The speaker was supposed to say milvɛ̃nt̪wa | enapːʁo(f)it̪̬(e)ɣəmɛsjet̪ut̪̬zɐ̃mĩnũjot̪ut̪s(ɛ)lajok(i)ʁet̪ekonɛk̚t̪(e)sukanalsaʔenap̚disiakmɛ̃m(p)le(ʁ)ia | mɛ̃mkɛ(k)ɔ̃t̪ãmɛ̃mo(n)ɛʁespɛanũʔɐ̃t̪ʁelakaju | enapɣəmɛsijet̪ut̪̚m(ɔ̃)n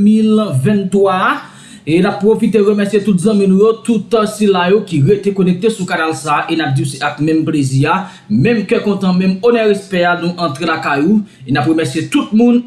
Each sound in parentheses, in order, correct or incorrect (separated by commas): correct, correct, incorrect, correct, correct, correct, incorrect, correct, correct, incorrect